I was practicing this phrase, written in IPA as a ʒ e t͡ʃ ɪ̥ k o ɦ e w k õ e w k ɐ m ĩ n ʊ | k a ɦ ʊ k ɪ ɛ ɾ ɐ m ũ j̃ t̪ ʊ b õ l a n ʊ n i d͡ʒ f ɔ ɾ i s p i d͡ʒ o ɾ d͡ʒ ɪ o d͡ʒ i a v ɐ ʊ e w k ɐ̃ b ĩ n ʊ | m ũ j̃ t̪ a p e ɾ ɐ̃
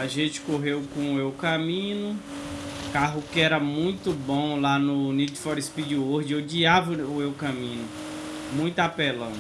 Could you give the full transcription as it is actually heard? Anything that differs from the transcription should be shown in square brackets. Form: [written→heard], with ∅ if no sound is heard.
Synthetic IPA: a ʒ [e→ẽ] t͡ʃ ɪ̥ k o ɦ e w k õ e w k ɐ m ĩ n ʊ | k a ɦ ʊ k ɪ ɛ ɾ ɐ m ũ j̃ t̪ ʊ b õ l a n ʊ n i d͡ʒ f ɔ ɾ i s p i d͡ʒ o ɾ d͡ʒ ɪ o d͡ʒ i a v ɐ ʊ e w k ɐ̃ [b→m] ĩ n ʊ | m ũ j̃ t̪ a p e [ɾ→l] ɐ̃